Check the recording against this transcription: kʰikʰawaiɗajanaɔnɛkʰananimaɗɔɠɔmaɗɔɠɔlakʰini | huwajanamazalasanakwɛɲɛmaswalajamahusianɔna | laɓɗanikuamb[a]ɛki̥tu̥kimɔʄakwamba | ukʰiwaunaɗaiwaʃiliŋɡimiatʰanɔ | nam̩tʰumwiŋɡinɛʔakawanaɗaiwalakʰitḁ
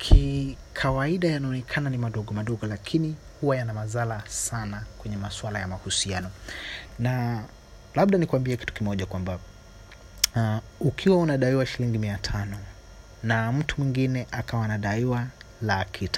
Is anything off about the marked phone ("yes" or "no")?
yes